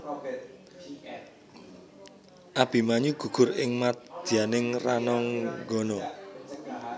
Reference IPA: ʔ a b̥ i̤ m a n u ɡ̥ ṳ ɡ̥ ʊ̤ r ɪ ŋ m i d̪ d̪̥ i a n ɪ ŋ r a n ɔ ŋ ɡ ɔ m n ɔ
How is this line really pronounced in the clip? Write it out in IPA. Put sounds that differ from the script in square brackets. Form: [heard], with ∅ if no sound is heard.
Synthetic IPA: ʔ a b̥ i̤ m a [ɲ] u ɡ̥ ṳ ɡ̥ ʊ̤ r ɪ ŋ m [a] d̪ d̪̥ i a n ɪ ŋ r a n ɔ ŋ ɡ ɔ [∅] n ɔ